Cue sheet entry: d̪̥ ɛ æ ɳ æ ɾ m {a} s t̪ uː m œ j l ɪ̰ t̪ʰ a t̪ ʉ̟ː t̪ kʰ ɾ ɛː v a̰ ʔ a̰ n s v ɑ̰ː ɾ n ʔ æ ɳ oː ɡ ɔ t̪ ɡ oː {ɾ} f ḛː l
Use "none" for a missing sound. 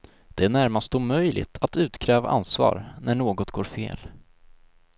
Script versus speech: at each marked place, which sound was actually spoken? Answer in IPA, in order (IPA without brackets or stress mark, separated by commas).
a, ɾ